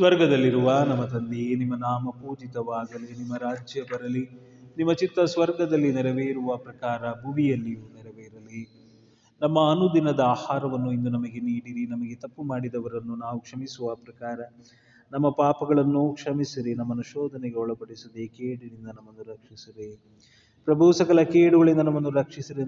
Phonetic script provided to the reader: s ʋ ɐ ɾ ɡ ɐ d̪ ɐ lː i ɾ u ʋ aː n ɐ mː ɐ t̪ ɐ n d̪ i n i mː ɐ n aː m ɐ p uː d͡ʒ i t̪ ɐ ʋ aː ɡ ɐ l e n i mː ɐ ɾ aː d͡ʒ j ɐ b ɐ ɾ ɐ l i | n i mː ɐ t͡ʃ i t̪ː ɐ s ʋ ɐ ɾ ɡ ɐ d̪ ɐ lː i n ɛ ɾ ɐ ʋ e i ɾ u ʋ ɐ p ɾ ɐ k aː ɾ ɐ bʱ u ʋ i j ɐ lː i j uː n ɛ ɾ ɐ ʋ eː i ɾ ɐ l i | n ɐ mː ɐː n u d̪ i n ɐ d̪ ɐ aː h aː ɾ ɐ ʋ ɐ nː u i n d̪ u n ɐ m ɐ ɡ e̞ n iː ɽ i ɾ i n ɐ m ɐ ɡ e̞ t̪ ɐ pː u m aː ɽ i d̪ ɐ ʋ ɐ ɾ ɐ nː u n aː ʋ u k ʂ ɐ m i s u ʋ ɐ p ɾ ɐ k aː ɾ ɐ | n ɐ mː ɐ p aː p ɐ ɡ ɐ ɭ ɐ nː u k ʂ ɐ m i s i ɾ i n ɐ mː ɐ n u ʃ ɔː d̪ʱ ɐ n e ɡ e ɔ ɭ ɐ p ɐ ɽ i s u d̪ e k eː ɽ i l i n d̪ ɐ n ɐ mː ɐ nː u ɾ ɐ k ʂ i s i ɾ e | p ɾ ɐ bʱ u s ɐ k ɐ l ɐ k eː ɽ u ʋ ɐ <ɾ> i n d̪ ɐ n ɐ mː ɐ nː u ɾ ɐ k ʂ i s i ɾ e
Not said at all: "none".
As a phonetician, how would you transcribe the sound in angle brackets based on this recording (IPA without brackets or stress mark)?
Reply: ɭ